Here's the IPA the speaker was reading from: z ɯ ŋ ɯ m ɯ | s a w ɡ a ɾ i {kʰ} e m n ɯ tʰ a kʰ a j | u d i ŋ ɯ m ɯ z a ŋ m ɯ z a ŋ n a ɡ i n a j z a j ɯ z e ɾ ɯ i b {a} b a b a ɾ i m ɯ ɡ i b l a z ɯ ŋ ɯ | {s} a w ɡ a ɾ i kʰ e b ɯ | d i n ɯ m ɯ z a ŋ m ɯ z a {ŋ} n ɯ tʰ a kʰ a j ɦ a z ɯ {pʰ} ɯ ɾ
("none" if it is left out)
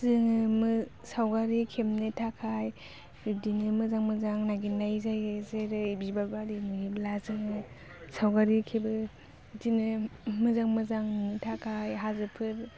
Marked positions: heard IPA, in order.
kʰ, i, s, ŋ, pʰ

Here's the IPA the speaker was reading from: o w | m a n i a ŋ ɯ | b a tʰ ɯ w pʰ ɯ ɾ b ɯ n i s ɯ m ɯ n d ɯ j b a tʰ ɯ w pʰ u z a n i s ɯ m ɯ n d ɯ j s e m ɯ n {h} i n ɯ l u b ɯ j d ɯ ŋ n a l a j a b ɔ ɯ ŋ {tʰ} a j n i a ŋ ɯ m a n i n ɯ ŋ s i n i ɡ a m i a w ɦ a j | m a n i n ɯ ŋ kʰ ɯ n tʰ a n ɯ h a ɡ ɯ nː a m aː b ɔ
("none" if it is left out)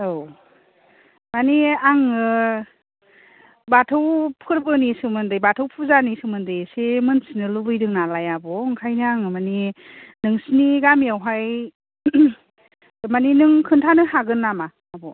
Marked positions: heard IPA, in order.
s, kʰ

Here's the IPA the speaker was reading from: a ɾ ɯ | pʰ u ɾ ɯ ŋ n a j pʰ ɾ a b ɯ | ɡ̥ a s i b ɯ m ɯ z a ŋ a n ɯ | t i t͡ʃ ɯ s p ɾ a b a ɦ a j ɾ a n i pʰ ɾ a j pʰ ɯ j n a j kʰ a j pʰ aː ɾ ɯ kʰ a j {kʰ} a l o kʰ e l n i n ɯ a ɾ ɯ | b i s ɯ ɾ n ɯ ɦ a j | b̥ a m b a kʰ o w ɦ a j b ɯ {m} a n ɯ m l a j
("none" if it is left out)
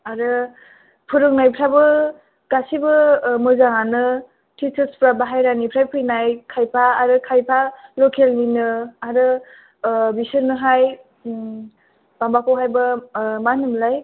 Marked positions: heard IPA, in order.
pʰ, m

